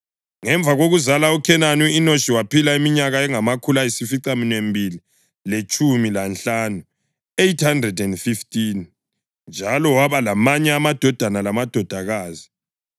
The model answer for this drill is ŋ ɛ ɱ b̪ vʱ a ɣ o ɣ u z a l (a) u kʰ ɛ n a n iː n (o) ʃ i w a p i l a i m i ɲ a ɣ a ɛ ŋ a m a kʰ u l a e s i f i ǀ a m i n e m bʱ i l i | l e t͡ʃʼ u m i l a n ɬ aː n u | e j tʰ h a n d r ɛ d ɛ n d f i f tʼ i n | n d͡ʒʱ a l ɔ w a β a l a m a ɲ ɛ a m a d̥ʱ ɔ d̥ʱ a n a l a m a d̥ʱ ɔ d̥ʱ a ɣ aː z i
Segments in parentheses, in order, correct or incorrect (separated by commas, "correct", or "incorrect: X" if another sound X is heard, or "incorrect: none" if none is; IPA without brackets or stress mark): correct, correct